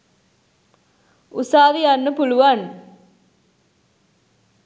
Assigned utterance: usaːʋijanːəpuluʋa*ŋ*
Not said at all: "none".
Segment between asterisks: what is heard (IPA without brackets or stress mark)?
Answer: n